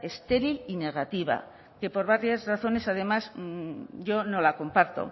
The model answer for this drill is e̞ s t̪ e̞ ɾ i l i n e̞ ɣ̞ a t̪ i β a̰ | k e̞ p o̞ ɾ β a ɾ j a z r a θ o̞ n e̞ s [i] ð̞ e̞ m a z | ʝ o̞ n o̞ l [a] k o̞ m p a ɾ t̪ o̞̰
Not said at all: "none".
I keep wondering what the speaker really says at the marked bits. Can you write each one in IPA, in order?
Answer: a, a

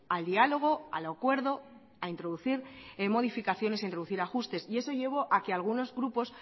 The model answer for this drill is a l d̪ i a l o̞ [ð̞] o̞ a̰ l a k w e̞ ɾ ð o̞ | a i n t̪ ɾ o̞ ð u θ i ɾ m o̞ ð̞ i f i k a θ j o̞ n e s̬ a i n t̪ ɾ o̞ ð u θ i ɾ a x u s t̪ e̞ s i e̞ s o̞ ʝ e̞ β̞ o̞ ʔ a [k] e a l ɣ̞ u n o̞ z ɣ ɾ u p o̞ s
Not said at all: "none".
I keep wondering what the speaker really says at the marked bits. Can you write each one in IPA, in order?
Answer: ɣ̞, k

